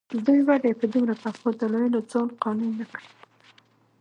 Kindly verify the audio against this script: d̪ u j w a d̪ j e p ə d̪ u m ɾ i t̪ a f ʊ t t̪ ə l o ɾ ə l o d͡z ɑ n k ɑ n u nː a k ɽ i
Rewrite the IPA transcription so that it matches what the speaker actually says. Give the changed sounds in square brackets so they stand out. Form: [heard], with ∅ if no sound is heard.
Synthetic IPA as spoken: d̪ u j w a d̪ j e p ə d̪ u m ɾ [a] t̪ a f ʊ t [d̪] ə l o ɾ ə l o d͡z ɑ n [q] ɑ n u nː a k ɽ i

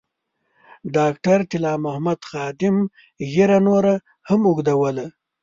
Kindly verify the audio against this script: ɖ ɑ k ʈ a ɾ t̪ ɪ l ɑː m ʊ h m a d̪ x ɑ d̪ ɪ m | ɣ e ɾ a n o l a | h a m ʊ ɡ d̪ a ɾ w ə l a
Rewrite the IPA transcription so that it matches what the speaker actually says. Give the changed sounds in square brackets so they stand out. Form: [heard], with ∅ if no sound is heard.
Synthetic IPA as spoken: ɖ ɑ k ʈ a ɾ t̪ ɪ l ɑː m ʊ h m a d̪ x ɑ d̪ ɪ m | ɣ e ɾ a n o [ɾ] a | h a m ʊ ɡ d̪ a [∅] w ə l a

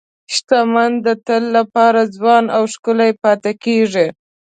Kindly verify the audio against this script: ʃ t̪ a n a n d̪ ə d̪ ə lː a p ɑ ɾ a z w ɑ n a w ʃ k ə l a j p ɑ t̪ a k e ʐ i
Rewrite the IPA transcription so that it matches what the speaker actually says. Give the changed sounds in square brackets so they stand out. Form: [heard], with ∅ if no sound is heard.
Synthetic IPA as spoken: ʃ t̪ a [m] a n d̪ ə [t̪] ə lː a p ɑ ɾ a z w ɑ n a w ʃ k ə l a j p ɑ t̪ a k e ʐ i

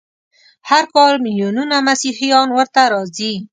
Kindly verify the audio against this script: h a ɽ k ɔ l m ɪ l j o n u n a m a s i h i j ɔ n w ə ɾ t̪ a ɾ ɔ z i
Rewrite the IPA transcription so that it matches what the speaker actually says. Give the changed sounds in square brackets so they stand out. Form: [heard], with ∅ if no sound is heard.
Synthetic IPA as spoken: h a [ɾ] k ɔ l m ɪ l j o n u n a m a s i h i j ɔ n w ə ɾ t̪ a ɾ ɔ z i

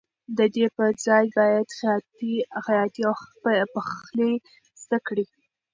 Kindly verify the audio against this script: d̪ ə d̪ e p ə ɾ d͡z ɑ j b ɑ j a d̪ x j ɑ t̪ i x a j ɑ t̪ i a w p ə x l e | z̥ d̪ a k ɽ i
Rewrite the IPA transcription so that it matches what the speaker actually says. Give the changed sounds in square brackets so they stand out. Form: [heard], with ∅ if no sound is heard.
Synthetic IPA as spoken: d̪ ə d̪ e p ə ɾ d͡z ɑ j b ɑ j a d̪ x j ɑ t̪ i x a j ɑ t̪ i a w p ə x l e | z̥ d̪ a k ɽ i

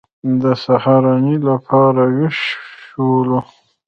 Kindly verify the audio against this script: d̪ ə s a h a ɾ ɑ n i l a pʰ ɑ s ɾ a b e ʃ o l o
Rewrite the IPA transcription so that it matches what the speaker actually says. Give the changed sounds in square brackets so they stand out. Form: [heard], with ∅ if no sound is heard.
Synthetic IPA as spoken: d̪ ə s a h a ɾ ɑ n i l a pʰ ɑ [∅] ɾ a [w] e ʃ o l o

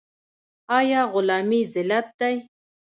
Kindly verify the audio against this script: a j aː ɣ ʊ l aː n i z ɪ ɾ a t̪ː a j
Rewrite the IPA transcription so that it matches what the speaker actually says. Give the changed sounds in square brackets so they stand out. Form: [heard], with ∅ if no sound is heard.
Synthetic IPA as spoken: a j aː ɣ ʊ l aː [m] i z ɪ [l] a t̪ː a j

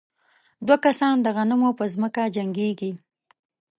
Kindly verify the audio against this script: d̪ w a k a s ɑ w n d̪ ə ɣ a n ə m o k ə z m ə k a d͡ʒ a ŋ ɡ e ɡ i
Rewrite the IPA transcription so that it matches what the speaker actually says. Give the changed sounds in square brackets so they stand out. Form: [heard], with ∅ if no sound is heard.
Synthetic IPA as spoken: d̪ w a k a s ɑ [∅] n d̪ ə ɣ a n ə m o [p] ə z m ə k a d͡ʒ a ŋ ɡ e ɡ i

